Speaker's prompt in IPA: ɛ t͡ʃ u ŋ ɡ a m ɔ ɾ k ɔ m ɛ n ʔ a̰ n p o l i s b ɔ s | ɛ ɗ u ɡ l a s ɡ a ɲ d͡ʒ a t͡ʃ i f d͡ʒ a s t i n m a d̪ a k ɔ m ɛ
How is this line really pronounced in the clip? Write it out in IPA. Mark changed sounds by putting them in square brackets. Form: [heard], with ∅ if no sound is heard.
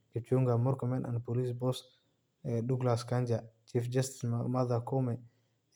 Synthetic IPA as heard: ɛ t͡ʃ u ŋ ɡ a m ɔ ɾ k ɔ m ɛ n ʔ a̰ n p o l i s b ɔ s | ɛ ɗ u ɡ l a s [k] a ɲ d͡ʒ a t͡ʃ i f d͡ʒ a s t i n m a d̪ a k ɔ m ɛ